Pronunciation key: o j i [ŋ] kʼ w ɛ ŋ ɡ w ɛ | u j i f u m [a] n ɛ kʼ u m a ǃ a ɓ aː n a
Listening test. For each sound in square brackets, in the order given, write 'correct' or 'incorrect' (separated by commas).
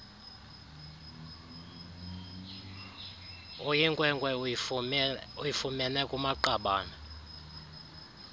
correct, incorrect